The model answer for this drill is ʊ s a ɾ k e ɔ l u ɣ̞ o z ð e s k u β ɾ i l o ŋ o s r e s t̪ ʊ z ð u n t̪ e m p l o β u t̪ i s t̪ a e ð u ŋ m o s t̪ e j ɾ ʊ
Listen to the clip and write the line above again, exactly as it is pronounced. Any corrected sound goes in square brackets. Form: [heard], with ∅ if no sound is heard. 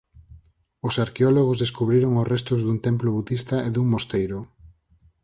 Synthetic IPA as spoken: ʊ s a ɾ k e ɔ l [o] ɣ̞ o z ð e s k u β ɾ i [ɾ] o ŋ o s r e s t̪ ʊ z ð u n t̪ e m p l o β u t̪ i s t̪ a e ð u ŋ m o s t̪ e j ɾ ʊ